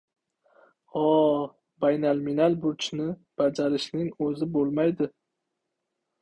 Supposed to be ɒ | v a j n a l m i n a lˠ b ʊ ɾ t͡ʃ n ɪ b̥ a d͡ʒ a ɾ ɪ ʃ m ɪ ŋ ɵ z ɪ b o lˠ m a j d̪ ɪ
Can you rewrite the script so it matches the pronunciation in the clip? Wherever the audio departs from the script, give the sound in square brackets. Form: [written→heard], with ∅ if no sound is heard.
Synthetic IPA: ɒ | [v→b] a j n a l m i n a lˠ b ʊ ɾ t͡ʃ n ɪ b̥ a d͡ʒ a ɾ ɪ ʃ [m→n] ɪ ŋ ɵ z ɪ b o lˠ m a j d̪ ɪ